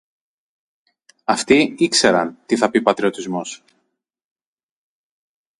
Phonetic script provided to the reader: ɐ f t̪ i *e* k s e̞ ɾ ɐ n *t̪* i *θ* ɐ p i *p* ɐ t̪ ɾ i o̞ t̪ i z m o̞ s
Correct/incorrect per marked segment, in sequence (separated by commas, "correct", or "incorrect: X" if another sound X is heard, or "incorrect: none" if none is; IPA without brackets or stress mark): incorrect: i, correct, correct, correct